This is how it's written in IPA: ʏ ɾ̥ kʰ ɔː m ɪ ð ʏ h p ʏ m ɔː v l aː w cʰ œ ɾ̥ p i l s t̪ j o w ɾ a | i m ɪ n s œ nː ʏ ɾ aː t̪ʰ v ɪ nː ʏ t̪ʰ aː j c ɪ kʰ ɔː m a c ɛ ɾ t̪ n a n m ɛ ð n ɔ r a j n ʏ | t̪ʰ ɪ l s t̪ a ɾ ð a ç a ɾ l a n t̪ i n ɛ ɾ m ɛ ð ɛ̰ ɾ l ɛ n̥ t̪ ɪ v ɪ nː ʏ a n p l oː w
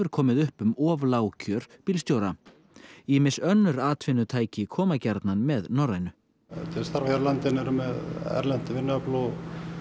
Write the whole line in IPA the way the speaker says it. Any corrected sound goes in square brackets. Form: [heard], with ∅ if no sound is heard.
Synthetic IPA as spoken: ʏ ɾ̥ kʰ ɔː m ɪ ð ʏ h p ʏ m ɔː v l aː w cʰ œ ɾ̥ p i l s t̪ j o w ɾ a | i m ɪ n s œ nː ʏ ɾ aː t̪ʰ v ɪ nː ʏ t̪ʰ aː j c ɪ kʰ ɔː m a c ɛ ɾ t̪ n a n m ɛ ð n ɔ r a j n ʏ | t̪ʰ ɪ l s t̪ a ɾ [v] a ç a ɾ l a n t̪ [ɪ] n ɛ ɾ m ɛ ð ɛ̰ ɾ l ɛ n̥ t̪ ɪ v ɪ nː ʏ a [∅] p l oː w